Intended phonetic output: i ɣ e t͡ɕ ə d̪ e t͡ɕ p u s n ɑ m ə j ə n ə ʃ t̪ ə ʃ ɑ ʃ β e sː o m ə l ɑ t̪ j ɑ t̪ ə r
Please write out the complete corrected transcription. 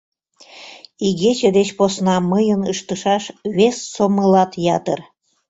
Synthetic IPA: i ɣ e t͡ɕ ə d̪ e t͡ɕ p o s n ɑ m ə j ə n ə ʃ t̪ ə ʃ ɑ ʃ β e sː o m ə l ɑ t̪ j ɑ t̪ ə r